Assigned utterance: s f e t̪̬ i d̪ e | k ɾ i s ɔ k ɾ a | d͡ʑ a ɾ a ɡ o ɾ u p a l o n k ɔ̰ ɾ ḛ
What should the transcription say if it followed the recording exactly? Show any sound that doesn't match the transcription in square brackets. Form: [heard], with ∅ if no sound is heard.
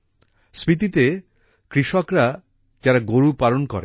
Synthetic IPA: s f [i] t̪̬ i [t̪] e | k ɾ i [ʃ] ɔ k ɾ a | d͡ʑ a ɾ a ɡ o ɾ u p a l o n k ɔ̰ ɾ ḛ